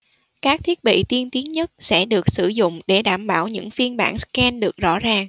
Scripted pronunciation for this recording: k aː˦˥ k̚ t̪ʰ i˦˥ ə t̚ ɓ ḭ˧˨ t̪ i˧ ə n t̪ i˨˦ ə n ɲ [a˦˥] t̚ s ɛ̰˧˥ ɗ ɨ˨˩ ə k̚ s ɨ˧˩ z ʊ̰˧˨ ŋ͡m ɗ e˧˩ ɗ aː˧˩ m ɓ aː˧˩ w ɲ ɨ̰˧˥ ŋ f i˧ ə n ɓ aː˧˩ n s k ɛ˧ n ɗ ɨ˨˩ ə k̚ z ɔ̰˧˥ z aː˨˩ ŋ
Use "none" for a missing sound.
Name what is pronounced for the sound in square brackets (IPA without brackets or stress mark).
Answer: ə˦˥